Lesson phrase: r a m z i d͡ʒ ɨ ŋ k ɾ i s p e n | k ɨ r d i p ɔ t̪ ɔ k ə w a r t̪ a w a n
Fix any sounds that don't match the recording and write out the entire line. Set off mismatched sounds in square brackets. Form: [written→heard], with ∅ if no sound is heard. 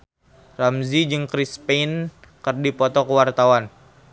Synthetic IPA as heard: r a m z i d͡ʒ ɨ ŋ k ɾ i s p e n | k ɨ r d i p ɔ t̪ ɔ k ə w a r t̪ a w a n